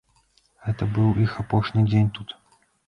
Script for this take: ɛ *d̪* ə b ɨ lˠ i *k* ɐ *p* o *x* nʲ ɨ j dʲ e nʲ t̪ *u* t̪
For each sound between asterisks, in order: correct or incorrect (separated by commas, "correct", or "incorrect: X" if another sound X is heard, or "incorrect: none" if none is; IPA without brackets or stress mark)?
incorrect: t̪, incorrect: x, correct, incorrect: ʂ, correct